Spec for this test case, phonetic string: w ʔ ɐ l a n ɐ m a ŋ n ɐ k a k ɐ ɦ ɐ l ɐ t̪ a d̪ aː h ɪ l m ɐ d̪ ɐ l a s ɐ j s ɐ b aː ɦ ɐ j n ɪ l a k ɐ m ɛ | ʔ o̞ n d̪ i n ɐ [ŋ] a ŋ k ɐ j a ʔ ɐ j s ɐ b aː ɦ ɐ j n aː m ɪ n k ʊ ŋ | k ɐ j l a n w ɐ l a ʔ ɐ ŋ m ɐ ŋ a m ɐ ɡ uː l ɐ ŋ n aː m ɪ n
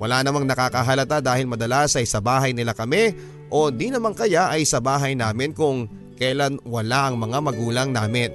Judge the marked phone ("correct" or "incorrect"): incorrect